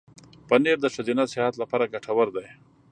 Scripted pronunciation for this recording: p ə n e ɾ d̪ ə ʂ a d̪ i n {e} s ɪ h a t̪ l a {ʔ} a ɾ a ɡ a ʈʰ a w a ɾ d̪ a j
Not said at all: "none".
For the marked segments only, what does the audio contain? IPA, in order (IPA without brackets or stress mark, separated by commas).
a, p